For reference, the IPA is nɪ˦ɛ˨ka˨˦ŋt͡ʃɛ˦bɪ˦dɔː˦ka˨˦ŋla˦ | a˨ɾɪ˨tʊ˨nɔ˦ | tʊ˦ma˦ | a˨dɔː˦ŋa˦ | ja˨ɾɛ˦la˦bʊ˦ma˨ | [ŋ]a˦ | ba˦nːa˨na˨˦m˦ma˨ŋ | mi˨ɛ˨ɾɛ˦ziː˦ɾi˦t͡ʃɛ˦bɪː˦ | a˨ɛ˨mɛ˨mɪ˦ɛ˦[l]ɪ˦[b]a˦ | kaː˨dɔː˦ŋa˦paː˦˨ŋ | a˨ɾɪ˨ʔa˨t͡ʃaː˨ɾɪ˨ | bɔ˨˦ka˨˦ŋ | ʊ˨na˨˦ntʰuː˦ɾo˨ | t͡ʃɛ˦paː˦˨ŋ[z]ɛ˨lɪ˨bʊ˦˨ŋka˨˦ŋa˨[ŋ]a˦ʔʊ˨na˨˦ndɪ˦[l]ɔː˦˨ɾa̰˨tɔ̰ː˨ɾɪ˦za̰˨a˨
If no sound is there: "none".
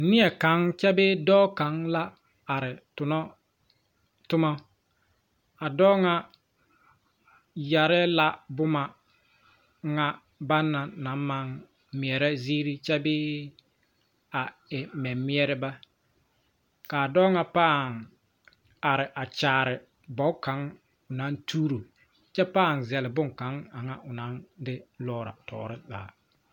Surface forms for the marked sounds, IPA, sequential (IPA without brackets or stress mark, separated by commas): ŋ, ɾ, b, z, ŋ, l